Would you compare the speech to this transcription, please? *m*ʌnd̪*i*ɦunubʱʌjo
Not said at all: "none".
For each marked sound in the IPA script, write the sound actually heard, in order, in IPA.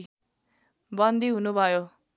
b, i

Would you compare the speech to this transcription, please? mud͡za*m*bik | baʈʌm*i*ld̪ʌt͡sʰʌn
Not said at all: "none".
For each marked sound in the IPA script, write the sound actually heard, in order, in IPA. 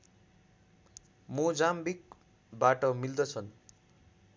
m, i

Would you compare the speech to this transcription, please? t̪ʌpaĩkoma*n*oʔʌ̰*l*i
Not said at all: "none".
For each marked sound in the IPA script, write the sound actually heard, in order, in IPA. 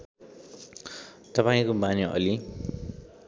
n, l

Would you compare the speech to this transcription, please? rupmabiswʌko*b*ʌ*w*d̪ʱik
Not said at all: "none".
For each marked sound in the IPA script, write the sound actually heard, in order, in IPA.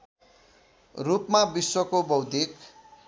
b, w

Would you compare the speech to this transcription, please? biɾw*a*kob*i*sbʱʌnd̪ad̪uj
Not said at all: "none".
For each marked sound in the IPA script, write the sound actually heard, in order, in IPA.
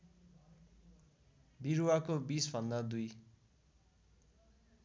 a, i

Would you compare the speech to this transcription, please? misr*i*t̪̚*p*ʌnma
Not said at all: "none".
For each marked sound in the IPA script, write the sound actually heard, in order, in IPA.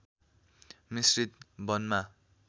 i, b

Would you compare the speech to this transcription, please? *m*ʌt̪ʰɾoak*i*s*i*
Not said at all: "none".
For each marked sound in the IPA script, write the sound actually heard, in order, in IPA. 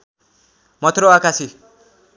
m, a, i

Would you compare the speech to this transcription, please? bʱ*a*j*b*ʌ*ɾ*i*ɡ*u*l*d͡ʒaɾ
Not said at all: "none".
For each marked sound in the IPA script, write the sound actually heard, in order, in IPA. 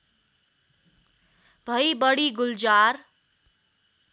ʌ, b, ɽ, ɡ, l

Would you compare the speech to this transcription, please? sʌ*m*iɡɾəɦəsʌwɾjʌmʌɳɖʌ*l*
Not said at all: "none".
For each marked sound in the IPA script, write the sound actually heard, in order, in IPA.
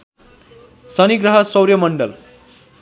n, l

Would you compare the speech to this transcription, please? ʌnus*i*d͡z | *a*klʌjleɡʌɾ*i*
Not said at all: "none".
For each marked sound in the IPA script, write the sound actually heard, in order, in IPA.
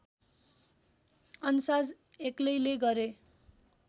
a, e, e

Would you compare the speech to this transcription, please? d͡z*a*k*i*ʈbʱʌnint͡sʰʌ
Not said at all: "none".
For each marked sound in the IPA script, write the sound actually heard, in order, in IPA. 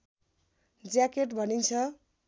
a, e

